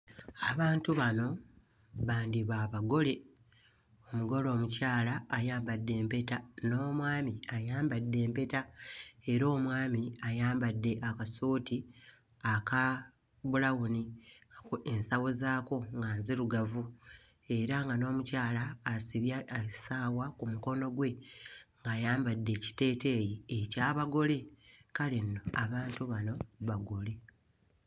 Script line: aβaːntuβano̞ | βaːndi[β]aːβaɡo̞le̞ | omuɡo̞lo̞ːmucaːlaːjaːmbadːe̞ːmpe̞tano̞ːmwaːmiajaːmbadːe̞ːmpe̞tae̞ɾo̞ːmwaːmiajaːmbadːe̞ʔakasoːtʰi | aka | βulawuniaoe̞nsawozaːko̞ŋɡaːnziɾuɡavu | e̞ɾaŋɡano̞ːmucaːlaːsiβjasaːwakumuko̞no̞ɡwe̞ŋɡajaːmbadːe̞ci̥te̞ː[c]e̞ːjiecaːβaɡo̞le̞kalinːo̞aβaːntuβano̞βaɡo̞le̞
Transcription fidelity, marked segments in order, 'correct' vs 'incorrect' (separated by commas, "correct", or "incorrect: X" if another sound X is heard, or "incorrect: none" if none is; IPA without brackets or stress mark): correct, incorrect: t